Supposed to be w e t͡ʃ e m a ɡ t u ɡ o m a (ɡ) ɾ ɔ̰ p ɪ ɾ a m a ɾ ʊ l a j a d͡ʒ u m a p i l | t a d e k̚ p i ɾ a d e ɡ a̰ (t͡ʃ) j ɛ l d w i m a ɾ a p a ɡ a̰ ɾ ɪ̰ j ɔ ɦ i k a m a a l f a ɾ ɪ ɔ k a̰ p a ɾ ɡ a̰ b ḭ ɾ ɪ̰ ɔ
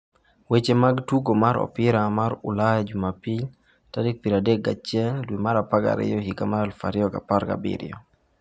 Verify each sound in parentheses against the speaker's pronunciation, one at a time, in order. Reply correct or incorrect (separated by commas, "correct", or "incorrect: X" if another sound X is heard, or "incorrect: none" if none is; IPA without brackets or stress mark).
incorrect: none, correct